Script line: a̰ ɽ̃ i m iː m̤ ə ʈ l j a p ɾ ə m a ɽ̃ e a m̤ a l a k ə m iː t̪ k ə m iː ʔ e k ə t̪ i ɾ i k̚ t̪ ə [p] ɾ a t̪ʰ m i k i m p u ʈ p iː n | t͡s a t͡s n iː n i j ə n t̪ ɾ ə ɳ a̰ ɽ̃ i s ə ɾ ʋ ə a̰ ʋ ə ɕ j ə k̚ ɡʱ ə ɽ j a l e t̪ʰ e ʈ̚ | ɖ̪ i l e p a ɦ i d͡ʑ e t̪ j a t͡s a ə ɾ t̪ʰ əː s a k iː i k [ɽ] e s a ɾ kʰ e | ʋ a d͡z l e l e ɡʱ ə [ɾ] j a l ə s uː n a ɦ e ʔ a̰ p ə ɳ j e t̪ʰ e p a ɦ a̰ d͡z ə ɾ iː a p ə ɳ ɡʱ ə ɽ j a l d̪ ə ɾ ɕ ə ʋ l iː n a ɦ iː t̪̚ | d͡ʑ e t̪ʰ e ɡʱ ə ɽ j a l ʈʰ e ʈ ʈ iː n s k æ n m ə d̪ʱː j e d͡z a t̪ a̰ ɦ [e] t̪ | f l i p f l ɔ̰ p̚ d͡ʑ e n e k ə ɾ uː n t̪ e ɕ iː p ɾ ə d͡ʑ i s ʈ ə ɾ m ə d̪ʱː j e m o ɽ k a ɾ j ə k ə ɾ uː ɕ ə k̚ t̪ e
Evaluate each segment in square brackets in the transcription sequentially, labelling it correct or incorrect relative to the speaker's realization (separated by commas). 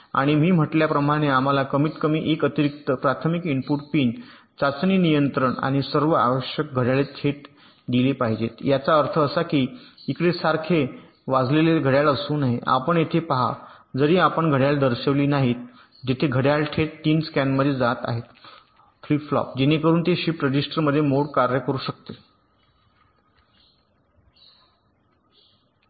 correct, correct, incorrect, correct